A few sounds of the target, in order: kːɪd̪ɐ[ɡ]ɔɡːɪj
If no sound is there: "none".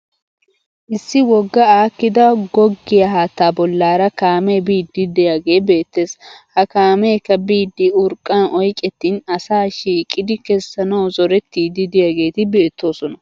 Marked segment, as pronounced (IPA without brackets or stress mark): ɡ